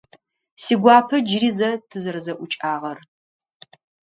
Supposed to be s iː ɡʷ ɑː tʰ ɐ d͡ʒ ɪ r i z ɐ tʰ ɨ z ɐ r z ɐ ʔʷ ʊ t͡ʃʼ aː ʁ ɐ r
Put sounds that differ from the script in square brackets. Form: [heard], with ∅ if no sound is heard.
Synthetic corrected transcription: s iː ɡʷ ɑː [pʰ] ɐ d͡ʒ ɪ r i z ɐ tʰ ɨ z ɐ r z ɐ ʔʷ ʊ t͡ʃʼ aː ʁ ɐ r